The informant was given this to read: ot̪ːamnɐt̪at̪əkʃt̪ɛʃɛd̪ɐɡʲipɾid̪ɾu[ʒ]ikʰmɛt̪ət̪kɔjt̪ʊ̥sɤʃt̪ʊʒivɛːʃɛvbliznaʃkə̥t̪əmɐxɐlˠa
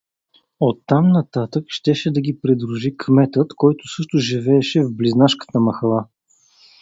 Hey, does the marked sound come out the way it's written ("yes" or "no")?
yes